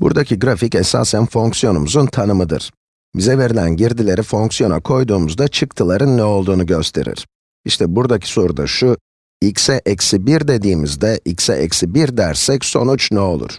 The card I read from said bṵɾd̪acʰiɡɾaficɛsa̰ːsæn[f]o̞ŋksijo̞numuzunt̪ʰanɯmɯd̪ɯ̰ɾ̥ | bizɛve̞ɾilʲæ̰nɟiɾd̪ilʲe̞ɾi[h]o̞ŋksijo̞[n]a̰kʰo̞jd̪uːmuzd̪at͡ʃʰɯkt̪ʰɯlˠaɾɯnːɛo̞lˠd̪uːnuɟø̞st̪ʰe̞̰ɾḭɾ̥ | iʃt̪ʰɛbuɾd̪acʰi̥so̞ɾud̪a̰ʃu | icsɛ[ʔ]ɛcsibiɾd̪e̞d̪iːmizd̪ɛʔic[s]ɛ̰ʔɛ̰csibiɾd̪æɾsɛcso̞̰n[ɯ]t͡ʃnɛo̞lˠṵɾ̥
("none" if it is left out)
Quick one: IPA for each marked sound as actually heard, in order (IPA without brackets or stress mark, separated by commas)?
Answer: f, f, n, ʔ, s, u